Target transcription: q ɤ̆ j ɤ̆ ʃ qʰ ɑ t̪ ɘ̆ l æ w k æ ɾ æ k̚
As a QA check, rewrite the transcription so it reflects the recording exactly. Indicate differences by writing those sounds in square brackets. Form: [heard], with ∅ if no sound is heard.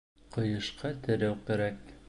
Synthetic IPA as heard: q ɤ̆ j ɤ̆ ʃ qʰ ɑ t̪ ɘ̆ [ɾ] æ w k æ ɾ æ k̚